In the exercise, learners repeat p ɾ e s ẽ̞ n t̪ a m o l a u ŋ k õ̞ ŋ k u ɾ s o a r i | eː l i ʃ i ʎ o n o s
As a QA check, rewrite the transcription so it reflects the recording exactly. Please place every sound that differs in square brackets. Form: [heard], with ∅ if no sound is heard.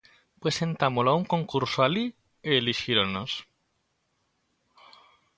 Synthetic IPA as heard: p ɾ e s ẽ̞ n t̪ a m o l a u ŋ k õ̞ ŋ k u ɾ s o a [l] i | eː l i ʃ i [ɾ] o n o s